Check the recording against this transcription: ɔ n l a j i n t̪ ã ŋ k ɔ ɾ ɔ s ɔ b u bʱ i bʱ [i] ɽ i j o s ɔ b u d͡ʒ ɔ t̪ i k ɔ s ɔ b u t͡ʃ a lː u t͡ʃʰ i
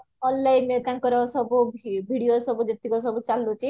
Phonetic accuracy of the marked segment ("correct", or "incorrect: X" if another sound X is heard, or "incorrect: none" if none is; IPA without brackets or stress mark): correct